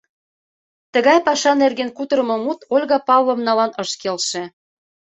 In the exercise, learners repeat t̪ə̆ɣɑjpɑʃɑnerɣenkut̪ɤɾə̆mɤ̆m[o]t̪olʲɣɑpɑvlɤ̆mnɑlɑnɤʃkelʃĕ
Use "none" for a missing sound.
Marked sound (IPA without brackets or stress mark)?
u